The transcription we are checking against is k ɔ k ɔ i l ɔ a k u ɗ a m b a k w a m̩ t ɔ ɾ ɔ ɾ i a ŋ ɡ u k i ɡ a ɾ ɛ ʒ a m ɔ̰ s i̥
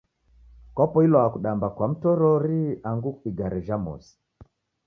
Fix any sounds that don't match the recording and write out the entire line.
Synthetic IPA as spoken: k ɔ p ɔ i l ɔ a k u ɗ a m b a k w a m̩ t ɔ ɾ ɔ ɾ i a ŋ ɡ u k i ɡ a ɾ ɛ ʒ a m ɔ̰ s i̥